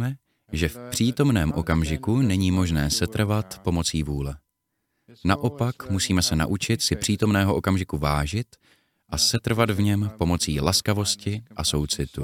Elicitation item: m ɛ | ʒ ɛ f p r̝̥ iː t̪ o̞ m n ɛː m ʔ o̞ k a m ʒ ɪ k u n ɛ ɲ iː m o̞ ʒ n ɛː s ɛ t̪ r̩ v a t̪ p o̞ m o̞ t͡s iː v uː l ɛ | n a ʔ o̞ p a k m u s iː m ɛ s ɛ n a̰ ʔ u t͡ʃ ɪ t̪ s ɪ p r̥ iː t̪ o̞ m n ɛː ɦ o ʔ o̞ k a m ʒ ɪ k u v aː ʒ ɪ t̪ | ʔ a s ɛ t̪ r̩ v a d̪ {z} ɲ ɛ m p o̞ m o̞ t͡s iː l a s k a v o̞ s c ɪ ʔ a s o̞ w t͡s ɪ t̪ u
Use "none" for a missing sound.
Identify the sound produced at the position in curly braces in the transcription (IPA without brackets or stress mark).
v